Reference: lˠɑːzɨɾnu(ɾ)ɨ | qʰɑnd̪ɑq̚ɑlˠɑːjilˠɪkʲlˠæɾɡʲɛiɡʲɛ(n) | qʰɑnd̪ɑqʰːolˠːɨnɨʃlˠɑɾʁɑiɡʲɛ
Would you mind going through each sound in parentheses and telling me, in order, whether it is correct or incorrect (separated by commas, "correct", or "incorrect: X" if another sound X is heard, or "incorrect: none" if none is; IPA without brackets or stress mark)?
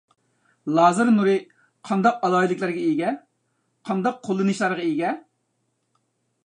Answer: correct, incorrect: none